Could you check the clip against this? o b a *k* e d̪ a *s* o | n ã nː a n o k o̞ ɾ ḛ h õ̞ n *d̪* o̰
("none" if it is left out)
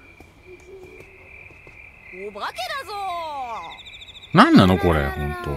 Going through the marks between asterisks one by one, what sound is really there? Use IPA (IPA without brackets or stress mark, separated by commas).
k, z, t̪